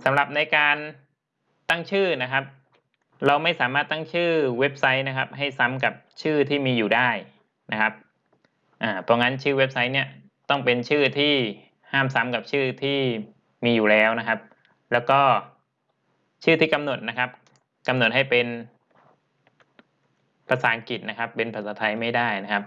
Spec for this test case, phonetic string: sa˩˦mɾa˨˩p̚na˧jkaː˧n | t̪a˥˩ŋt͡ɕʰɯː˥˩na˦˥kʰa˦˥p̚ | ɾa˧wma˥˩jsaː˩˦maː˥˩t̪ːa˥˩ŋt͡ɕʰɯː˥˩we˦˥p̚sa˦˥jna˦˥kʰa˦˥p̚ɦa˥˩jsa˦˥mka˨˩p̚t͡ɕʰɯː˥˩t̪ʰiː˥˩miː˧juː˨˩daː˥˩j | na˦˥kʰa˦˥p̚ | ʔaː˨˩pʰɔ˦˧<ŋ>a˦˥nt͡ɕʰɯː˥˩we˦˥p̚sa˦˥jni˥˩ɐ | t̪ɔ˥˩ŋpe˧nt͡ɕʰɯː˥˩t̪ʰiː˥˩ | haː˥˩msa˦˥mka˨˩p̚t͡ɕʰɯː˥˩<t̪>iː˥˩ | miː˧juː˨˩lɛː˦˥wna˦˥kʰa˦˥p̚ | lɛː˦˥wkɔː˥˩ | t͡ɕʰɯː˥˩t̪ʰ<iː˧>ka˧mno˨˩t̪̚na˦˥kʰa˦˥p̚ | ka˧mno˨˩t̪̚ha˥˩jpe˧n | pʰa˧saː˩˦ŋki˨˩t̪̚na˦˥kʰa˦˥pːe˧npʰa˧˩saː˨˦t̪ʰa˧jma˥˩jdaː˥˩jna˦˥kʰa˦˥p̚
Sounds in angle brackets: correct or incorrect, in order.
correct, incorrect: t̪ʰ, incorrect: iː˥˩

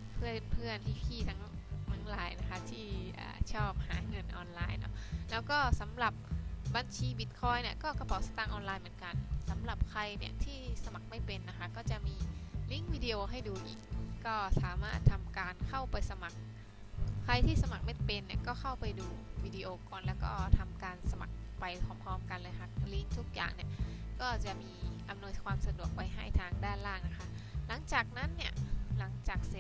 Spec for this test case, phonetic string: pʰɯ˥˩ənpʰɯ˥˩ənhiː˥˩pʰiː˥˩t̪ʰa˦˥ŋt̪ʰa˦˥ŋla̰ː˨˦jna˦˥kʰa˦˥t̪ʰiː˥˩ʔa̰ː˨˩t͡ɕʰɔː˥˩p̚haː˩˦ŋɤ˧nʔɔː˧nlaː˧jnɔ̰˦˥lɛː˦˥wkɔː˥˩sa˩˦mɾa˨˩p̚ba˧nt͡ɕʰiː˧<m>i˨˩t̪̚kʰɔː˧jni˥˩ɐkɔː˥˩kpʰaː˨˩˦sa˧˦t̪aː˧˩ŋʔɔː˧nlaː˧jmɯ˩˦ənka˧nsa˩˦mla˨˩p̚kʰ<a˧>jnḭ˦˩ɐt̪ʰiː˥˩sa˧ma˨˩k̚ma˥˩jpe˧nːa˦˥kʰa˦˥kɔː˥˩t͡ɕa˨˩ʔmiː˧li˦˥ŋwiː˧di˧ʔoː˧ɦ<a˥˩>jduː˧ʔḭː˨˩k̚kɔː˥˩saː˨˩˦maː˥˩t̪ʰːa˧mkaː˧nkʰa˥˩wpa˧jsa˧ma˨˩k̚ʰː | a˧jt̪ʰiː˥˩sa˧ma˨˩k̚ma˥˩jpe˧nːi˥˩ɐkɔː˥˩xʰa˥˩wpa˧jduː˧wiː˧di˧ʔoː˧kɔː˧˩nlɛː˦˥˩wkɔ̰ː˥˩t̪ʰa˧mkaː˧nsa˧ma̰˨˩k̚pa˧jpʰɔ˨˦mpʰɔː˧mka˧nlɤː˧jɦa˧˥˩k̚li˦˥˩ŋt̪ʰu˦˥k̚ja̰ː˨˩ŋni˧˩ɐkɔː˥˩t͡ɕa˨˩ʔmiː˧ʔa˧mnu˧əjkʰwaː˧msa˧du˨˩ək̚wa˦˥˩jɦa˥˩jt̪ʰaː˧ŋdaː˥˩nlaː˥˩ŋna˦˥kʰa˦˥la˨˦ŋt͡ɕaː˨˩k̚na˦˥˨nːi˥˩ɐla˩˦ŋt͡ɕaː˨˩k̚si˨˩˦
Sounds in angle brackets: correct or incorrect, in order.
incorrect: b, correct, correct

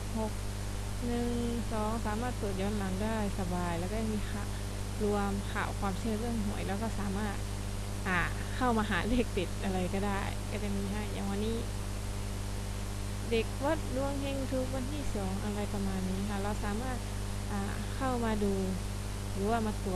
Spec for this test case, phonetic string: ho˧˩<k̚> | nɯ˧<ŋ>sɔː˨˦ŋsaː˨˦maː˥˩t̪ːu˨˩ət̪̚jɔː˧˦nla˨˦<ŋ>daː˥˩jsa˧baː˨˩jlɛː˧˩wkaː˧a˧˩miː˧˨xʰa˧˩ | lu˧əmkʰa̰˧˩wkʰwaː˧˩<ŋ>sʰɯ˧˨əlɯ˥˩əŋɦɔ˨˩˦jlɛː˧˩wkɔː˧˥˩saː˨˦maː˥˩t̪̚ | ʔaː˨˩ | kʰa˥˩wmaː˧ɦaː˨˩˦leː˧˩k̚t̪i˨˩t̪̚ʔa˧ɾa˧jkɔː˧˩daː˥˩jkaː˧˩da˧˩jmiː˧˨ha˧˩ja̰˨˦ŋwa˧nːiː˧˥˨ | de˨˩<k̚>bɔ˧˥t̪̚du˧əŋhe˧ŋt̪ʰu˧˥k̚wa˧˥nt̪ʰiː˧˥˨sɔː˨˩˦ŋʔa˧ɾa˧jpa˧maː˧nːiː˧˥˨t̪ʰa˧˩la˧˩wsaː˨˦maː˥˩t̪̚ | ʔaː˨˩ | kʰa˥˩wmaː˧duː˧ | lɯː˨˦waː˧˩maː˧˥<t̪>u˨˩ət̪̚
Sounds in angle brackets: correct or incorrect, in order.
correct, correct, correct, incorrect: m, correct, correct

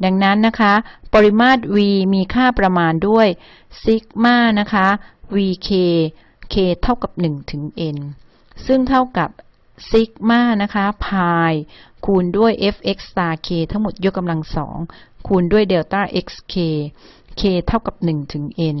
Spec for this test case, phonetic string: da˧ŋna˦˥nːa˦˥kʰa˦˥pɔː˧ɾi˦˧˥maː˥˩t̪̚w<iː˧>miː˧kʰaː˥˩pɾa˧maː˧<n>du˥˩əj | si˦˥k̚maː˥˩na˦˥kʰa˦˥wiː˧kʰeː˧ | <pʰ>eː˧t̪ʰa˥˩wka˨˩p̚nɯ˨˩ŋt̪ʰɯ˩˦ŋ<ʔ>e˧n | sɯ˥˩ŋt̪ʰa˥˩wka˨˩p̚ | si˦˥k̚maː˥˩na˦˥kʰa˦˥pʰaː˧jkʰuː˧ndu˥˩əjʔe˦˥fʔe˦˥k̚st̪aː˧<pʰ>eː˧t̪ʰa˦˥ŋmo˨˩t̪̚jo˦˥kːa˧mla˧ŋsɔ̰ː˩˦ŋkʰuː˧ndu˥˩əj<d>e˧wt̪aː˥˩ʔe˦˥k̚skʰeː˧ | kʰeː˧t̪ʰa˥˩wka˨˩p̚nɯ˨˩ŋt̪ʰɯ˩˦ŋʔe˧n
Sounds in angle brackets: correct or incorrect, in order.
correct, correct, incorrect: kʰ, correct, incorrect: kʰ, correct

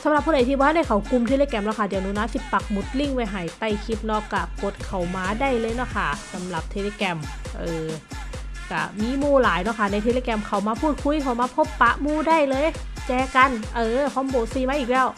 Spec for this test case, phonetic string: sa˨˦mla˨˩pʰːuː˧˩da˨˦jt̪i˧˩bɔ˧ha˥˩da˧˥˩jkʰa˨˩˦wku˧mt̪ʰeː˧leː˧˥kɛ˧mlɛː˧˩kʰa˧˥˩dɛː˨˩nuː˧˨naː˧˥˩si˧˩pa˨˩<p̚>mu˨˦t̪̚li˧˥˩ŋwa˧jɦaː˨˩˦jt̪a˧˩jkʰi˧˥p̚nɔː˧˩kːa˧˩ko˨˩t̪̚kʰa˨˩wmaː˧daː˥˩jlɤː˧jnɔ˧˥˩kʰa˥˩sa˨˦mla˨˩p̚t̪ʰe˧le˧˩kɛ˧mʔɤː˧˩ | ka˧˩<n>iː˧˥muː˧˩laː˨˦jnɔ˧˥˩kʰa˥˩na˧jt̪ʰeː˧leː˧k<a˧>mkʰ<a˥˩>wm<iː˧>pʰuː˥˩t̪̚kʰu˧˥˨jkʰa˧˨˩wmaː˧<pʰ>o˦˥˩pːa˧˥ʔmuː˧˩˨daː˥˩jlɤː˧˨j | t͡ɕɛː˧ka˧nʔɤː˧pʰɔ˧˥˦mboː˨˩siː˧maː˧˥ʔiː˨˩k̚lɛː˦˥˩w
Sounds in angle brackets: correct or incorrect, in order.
incorrect: k̚, incorrect: m, incorrect: ɛ˧, incorrect: a˨˩, incorrect: aː˧, correct

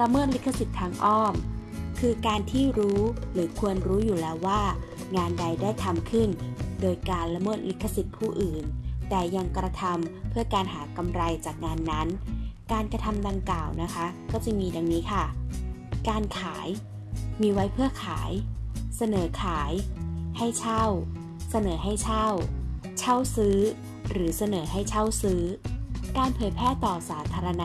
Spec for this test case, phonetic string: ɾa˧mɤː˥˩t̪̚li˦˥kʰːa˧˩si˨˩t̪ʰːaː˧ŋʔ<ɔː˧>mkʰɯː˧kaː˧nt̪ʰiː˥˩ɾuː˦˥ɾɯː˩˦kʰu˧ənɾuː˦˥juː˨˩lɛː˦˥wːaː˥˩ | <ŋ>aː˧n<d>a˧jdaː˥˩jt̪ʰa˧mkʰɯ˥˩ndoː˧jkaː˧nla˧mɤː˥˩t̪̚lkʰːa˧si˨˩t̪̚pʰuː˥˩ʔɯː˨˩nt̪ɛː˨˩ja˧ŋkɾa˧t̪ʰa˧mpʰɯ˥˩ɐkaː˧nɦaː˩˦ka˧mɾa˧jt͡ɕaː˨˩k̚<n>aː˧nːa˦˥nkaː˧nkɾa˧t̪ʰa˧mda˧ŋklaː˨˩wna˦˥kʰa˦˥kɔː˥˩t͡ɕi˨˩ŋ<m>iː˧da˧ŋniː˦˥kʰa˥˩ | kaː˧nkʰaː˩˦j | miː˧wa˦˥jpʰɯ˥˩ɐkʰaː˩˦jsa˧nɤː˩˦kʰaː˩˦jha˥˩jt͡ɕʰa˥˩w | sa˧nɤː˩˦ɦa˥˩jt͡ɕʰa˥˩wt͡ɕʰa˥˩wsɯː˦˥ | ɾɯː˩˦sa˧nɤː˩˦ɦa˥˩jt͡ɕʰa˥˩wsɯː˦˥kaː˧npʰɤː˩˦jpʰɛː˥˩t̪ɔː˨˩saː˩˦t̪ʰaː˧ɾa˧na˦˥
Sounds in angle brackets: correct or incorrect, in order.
incorrect: ɔː˥˩, correct, correct, incorrect: ŋ, correct

